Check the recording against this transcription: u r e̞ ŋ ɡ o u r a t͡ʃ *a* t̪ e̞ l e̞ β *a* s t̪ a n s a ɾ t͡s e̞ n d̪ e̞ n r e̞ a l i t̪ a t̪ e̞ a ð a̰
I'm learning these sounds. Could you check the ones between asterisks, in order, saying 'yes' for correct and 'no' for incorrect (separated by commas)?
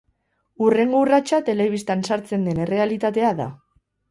yes, no